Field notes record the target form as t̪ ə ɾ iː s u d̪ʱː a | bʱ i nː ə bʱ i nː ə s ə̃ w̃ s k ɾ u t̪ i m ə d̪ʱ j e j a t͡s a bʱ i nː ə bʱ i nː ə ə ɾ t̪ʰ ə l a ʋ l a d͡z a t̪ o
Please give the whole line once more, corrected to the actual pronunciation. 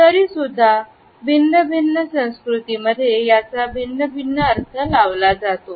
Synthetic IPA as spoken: t̪ ə ɾ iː s u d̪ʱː a | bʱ i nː ə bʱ i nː ə s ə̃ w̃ s k ɾ u t̪ i m ə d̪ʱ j e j a t͡s a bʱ i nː ə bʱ i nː ə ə ɾ t̪ʰ ə l a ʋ l a d͡z a t̪ o

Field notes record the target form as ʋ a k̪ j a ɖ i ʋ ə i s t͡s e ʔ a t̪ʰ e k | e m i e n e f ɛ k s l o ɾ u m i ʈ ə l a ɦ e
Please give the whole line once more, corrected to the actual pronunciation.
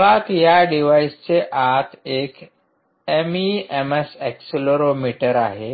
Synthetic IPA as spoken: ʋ a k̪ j a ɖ i ʋ a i s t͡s e ʔ a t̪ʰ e k | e m i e m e s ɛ k s l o ɾ o m i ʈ ə ɾ a ɦ e

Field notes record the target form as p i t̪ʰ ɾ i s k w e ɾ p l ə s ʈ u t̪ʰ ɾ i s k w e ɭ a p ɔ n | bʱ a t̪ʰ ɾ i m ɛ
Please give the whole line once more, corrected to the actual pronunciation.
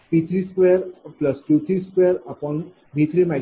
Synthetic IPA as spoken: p i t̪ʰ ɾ i s k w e ɾ p l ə s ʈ u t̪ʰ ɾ i s k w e ɾ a p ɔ n | bʱ i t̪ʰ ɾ i m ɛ

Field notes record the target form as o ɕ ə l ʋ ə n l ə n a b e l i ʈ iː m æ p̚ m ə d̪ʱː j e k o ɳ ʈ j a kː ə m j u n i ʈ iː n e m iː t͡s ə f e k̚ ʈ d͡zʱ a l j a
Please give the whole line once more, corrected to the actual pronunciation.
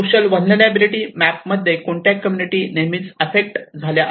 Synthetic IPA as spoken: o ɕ ə l ʋ ə n l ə n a b i l i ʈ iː m æ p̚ m ə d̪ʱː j e k o ɳ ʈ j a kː ə m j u n i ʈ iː n e m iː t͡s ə f e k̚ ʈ d͡zʱ a l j a

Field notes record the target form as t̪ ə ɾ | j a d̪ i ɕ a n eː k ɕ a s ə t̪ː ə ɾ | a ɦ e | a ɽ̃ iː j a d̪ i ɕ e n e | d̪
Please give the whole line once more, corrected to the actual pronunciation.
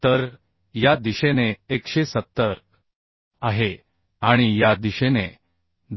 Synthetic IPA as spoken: t̪ ə ɾ | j a d̪ i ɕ e n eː k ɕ e s ə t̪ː ə ɾ | a ɦ e | a ɽ̃ i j a d̪ i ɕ e n e | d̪

